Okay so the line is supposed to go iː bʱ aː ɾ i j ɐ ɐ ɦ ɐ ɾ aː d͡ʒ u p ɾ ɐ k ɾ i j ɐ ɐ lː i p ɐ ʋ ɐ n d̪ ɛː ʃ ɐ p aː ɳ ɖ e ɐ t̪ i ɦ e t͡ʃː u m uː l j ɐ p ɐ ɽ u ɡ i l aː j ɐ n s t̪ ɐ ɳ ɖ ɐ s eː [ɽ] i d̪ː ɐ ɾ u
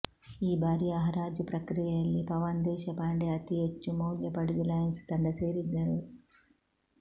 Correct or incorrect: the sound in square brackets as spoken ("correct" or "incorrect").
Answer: incorrect